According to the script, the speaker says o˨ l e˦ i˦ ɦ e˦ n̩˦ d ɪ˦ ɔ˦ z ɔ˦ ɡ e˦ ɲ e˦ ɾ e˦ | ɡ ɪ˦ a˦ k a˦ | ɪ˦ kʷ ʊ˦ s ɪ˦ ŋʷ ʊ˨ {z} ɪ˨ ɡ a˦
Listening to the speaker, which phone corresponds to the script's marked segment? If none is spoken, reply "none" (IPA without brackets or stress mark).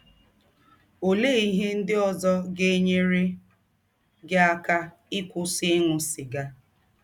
s